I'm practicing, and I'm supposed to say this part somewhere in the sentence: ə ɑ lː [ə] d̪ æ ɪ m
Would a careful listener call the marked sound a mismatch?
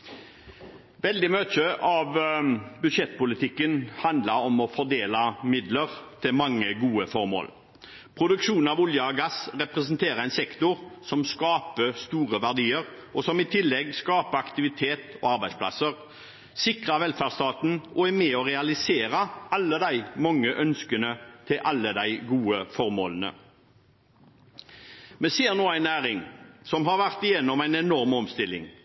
no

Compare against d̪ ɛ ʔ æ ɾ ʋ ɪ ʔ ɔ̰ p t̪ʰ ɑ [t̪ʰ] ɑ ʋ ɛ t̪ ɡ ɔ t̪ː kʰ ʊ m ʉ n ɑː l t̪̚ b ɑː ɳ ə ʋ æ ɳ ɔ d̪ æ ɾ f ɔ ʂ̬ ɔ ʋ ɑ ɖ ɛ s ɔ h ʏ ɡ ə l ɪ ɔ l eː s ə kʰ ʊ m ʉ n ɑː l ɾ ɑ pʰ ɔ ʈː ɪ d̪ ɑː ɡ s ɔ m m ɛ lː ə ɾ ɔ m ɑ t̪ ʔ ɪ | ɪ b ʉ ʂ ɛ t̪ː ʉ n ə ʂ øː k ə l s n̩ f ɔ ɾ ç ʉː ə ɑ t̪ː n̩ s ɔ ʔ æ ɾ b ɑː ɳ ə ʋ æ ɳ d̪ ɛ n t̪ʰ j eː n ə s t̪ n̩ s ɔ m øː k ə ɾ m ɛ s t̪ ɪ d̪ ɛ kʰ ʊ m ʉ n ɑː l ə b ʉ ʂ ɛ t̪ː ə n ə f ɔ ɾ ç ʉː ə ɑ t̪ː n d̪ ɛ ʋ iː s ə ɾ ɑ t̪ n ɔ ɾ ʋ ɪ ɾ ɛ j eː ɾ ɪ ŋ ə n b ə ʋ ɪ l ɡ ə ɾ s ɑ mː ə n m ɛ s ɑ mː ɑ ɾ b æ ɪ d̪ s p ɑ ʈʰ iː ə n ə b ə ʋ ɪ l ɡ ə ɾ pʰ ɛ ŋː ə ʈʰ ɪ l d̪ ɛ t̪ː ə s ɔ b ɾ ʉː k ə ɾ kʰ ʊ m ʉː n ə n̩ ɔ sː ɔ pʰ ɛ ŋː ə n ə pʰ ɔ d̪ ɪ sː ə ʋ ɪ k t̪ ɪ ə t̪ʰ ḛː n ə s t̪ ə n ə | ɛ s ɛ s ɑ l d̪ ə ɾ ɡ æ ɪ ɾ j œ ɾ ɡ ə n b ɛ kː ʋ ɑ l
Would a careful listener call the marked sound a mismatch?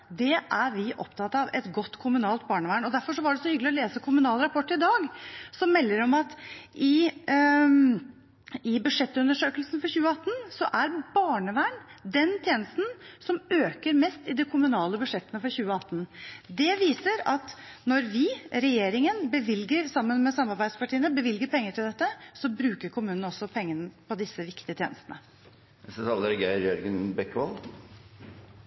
yes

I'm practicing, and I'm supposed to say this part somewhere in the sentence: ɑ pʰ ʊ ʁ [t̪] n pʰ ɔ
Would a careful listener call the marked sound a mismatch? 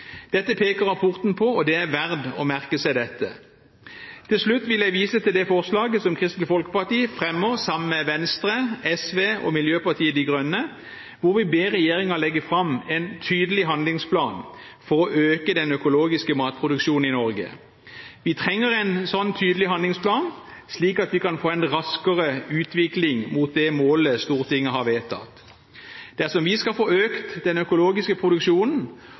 no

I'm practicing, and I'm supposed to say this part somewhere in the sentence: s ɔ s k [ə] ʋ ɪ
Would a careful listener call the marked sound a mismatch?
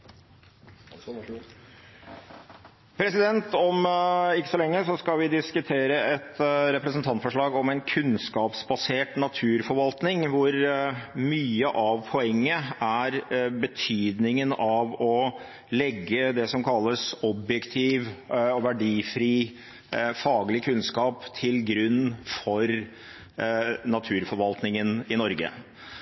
yes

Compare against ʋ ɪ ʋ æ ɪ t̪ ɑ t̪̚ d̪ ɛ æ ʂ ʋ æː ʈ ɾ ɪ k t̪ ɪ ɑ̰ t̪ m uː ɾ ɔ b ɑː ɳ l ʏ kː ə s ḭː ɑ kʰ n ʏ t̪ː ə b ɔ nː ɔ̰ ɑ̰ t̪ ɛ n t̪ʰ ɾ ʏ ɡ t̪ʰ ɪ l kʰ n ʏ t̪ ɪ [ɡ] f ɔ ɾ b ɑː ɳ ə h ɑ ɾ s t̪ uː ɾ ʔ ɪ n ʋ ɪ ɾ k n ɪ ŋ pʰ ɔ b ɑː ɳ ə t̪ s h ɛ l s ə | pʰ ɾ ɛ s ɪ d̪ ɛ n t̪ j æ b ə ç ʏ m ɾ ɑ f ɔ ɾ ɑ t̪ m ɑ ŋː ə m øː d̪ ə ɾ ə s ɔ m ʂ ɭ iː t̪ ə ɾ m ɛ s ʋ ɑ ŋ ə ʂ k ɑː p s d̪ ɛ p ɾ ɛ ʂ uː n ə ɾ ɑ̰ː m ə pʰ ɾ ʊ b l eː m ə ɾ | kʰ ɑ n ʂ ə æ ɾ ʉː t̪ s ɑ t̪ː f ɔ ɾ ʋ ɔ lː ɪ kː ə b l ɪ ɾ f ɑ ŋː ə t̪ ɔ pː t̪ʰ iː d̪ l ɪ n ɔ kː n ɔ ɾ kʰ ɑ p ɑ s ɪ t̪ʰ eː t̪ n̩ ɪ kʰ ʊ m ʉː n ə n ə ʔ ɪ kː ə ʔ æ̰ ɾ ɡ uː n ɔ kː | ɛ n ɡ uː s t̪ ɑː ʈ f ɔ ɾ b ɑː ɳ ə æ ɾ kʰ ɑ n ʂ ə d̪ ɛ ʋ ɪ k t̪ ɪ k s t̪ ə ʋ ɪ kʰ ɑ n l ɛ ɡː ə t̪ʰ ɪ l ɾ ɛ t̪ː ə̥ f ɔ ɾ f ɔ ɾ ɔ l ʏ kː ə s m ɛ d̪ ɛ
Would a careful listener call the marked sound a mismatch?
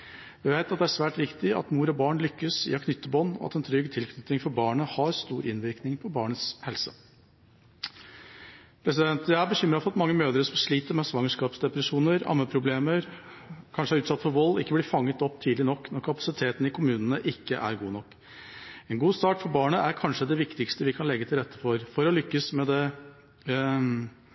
yes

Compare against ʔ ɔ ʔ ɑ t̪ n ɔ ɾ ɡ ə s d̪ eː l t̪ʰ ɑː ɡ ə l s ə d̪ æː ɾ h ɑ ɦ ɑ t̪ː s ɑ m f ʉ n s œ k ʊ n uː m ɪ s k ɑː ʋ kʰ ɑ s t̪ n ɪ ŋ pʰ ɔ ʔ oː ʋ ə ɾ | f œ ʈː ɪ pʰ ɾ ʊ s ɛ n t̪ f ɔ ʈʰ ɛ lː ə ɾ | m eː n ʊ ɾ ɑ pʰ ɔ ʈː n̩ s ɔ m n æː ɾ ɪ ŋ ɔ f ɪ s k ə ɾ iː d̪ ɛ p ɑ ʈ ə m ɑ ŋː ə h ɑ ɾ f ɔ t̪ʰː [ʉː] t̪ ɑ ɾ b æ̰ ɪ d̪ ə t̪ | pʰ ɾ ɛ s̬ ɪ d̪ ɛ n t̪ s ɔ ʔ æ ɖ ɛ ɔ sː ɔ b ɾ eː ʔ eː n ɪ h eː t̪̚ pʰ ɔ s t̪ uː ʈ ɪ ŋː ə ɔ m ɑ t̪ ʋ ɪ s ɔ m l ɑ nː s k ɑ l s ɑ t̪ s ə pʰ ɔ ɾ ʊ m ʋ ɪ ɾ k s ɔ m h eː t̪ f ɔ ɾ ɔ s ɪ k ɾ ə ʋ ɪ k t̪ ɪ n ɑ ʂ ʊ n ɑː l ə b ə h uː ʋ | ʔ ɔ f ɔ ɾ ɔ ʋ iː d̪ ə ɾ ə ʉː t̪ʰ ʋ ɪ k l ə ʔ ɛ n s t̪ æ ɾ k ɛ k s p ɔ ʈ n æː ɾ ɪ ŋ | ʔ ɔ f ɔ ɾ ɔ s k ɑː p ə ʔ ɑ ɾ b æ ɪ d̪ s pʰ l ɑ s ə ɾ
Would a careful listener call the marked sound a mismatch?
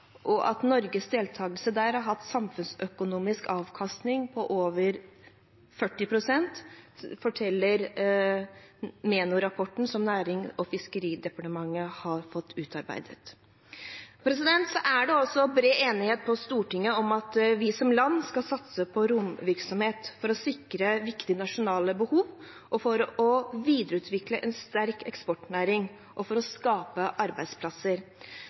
no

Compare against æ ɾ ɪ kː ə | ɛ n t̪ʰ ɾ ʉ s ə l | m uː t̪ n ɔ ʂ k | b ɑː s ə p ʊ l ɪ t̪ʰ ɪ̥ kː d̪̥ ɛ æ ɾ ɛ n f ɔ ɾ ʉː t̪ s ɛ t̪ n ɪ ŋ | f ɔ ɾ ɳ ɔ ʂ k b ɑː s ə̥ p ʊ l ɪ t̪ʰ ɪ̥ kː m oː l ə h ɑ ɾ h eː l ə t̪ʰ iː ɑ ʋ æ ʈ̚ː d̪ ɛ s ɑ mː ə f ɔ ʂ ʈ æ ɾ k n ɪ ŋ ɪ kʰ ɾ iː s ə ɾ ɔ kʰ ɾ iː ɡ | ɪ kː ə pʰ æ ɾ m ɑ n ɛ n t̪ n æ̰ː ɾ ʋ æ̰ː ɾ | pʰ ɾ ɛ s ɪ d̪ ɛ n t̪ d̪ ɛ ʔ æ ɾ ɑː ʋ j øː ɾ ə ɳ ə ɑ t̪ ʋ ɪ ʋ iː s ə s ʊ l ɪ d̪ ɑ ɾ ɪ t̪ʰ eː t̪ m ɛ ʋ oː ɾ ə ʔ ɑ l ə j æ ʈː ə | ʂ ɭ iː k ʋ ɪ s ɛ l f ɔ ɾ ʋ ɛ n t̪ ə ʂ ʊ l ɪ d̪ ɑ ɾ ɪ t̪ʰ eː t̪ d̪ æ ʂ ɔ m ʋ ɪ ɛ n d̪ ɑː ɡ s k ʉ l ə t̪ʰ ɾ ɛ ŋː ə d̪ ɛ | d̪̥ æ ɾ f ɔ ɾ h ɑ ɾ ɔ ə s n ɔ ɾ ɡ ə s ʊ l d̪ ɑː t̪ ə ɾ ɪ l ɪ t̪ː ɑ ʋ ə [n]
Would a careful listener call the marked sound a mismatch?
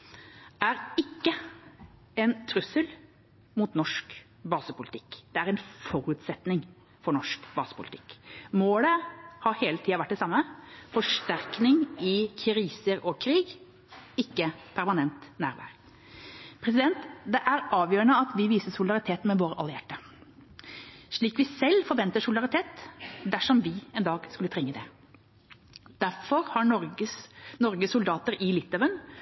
no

